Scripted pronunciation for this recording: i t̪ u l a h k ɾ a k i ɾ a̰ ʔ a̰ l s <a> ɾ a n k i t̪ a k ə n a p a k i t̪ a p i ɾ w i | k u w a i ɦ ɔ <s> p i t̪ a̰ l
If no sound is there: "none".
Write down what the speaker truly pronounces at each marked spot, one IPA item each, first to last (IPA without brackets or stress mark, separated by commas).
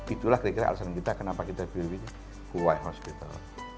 a, s